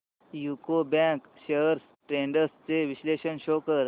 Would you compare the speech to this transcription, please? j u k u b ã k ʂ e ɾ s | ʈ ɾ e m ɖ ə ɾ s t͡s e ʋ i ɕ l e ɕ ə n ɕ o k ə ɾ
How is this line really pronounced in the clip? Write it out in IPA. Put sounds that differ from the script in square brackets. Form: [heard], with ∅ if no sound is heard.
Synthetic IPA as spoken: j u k [o] b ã k [ɕ] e ɾ s | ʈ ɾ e [ɳ] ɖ ə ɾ s t͡s e ʋ i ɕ l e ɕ ə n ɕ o k ə ɾ